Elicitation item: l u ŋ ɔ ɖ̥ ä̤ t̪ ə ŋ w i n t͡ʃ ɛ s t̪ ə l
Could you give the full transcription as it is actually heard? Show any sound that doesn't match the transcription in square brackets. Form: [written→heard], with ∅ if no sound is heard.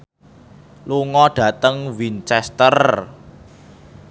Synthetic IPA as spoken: l u ŋ ɔ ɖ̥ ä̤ t̪ ə ŋ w i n t͡ʃ ɛ s t̪ ə [l→r]